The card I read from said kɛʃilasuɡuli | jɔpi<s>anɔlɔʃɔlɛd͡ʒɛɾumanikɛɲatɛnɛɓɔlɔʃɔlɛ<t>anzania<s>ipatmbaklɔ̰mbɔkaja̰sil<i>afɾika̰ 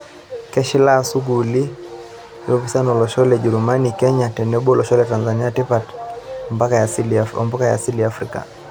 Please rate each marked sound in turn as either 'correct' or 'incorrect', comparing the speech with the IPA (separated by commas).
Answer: correct, correct, incorrect, correct